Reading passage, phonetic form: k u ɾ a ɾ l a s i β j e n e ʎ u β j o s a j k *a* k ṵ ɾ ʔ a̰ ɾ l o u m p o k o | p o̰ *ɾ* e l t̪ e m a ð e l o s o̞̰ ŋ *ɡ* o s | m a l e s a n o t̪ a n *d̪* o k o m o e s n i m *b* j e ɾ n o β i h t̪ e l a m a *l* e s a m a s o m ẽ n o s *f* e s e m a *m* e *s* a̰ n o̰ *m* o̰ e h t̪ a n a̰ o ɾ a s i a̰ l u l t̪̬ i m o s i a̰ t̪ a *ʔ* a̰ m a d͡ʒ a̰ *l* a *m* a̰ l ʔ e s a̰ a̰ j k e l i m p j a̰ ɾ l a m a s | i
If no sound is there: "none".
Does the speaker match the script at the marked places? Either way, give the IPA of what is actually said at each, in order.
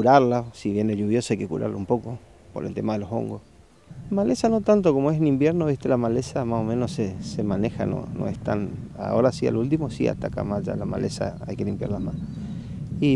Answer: e, ɾ, ɡ, t̪, b, l, s, n, x, n, k, l, m

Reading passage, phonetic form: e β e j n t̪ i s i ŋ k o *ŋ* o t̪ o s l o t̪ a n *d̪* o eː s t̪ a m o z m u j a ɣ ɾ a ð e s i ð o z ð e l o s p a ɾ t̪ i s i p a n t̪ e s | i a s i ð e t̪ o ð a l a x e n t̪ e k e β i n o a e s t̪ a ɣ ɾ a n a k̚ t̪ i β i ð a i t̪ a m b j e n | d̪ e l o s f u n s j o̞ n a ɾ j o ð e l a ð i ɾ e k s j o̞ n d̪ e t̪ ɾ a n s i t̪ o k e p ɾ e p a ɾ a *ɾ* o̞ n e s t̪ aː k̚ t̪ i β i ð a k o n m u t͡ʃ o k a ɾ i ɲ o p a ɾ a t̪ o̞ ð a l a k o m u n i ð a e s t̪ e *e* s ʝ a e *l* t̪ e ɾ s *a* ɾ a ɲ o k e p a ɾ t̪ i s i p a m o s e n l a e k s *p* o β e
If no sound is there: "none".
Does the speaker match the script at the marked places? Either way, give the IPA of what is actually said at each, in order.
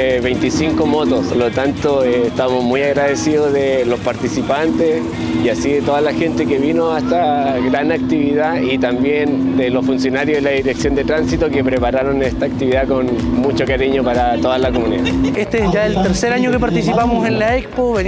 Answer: m, t̪, ɾ, e, l, e, p

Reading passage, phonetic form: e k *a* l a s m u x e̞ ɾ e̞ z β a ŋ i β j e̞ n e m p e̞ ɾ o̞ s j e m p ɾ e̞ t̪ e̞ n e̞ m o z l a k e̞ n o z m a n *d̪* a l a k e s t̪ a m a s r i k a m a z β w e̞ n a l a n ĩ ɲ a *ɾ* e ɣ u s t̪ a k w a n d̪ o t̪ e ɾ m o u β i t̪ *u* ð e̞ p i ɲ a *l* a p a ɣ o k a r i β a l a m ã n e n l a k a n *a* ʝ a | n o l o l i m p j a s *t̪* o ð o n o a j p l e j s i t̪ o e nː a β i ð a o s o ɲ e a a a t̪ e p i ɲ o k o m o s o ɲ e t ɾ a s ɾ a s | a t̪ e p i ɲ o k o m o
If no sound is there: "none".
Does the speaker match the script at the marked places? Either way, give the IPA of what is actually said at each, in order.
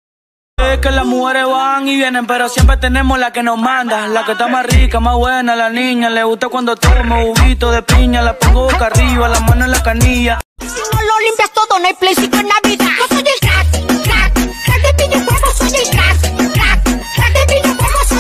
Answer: e, d̪, l, o, l, i, t̪

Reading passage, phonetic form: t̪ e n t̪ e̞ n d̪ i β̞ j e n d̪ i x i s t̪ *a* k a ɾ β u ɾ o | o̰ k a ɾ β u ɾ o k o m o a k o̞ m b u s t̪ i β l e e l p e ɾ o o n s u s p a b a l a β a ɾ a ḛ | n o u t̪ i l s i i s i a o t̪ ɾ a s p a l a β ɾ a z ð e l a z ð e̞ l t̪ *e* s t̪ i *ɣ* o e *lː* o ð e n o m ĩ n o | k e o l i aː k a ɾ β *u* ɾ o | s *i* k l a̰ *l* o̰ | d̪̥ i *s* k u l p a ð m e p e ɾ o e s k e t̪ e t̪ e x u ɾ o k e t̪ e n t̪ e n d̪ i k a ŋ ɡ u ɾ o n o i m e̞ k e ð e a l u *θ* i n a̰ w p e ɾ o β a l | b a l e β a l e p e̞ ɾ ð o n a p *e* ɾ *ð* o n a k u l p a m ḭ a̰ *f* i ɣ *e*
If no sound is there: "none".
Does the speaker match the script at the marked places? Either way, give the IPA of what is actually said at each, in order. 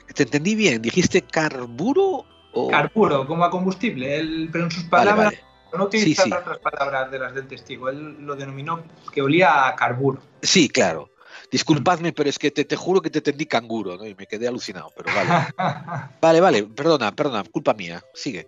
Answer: e, e, ɣ, lː, u, i, ɾ, s, θ, e, ð, s, e

